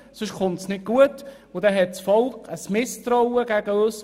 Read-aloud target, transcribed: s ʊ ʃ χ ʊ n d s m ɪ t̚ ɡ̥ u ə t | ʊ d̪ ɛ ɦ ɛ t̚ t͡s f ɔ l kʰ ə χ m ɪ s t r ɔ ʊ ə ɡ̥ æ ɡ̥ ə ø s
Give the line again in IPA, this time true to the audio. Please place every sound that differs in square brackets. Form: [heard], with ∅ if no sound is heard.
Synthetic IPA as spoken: s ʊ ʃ χ ʊ n [t] s [n] ɪ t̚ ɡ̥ u ə t | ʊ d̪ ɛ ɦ ɛ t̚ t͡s f ɔ l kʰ ə [s] m ɪ s t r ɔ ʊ ə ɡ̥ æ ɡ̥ ə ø s